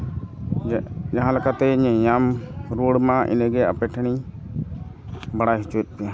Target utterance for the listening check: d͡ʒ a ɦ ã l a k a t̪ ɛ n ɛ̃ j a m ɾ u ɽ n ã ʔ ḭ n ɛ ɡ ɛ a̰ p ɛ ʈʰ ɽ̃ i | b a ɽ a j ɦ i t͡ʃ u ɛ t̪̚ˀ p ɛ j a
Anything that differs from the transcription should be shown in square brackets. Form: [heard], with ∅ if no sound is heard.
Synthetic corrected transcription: d͡ʒ a ɦ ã l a k a t̪ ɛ [ɲ] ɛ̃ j a m ɾ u ɽ [m] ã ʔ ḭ n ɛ ɡ ɛ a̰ p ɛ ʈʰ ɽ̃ i | b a ɽ a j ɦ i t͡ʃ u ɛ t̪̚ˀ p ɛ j a